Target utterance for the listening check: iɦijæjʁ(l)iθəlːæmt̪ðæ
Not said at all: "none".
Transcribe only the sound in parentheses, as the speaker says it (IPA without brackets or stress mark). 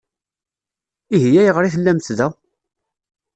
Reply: ɾ